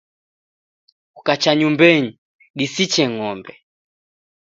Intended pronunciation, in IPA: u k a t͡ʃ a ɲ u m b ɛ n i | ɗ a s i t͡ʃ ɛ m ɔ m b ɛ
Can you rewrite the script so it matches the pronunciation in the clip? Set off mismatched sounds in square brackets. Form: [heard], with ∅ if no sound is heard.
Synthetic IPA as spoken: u k a t͡ʃ a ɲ u m b ɛ [ɲ] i | ɗ [i] s i t͡ʃ ɛ [ŋ] ɔ m b ɛ